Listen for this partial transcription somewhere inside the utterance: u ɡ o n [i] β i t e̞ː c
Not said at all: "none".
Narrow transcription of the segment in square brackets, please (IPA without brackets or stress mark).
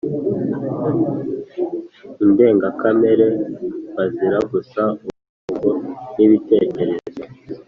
i